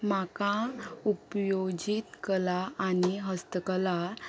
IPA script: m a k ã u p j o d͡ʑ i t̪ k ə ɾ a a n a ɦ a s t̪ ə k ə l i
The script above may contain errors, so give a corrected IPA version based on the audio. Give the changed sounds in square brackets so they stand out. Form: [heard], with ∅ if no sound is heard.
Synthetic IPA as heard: m a k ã u p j o d͡ʑ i t̪ k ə [l] a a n [i] ɦ [ə] s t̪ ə k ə l [a]